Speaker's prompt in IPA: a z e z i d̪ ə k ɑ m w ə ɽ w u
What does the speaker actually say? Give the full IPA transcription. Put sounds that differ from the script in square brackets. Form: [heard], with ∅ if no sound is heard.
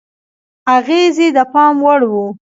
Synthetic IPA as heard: a [ɣ] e z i d̪ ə [p] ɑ m w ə ɽ w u